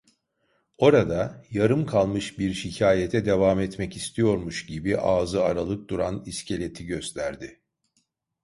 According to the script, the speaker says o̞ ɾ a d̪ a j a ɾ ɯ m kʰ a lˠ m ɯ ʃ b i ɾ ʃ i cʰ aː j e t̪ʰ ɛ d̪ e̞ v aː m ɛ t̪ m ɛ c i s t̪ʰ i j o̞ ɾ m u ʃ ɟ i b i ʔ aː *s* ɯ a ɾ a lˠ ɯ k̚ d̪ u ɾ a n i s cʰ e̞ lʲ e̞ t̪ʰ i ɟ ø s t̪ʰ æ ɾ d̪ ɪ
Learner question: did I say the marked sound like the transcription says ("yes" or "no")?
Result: no